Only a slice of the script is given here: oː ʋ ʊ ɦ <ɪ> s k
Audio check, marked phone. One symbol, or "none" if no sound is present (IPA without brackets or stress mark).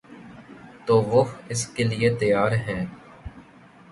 ɪ